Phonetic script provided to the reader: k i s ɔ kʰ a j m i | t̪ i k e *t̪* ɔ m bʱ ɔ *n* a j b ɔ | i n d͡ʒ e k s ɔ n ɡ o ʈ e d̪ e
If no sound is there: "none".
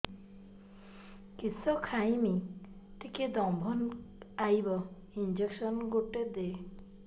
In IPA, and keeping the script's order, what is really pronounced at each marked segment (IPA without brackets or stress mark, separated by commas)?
d̪, n